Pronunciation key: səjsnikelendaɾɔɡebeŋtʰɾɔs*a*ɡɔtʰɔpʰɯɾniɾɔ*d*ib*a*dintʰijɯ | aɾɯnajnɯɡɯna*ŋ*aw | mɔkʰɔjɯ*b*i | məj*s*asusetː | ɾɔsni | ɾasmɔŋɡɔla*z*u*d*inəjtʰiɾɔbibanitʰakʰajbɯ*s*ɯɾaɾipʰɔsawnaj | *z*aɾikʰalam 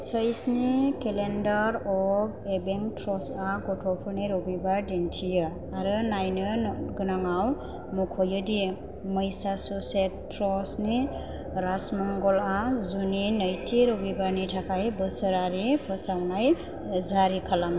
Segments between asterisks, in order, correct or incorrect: correct, incorrect, correct, correct, incorrect, correct, correct, incorrect, correct, correct

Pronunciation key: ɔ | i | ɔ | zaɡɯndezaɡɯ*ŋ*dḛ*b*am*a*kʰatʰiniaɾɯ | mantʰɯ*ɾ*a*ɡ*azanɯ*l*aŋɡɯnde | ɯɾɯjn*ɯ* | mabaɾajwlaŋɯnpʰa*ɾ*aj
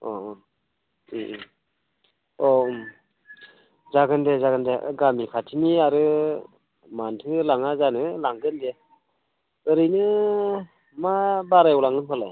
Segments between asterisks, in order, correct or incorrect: incorrect, incorrect, incorrect, incorrect, incorrect, correct, correct, incorrect

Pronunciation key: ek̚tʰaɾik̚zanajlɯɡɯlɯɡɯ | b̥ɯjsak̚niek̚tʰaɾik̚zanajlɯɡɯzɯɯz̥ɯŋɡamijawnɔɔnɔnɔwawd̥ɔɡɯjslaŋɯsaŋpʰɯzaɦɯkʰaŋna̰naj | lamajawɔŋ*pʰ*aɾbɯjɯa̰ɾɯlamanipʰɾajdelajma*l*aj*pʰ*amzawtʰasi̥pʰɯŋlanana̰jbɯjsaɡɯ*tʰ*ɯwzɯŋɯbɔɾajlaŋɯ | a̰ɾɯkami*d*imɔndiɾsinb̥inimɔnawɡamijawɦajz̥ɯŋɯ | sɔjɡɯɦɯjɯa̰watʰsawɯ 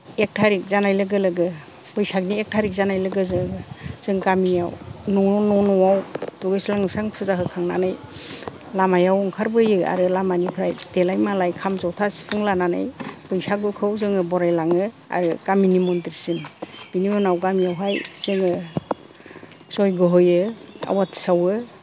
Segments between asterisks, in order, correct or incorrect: incorrect, correct, incorrect, incorrect, incorrect

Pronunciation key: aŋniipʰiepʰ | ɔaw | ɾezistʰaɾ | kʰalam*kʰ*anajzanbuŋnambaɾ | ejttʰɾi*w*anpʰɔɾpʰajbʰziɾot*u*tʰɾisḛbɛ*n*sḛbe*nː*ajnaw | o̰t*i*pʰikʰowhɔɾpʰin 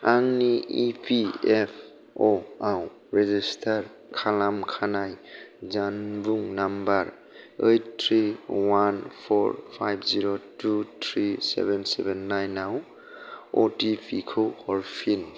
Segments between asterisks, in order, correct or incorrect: correct, correct, correct, correct, correct, correct

